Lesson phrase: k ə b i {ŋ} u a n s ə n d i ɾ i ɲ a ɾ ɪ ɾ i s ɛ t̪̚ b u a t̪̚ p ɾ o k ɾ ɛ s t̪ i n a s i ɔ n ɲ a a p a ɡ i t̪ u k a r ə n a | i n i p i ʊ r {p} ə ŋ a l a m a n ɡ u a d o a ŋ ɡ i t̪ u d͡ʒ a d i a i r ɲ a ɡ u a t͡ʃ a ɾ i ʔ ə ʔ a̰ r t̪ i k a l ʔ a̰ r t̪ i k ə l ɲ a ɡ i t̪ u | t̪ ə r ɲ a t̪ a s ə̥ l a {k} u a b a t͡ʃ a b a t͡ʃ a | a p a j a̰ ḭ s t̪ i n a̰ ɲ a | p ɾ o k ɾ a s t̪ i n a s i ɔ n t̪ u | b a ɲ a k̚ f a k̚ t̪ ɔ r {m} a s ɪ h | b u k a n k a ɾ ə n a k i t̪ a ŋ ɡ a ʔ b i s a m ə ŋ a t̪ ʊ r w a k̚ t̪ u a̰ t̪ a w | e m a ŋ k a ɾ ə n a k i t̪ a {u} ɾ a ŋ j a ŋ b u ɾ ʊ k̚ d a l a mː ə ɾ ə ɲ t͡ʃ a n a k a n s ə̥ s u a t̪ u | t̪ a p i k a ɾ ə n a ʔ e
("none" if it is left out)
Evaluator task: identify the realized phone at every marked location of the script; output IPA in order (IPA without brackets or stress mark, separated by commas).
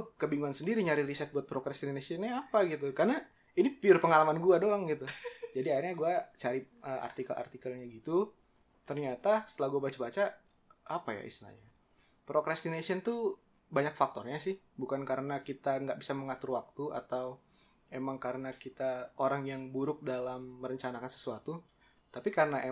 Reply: ŋ, p, ɡ, ɲ, o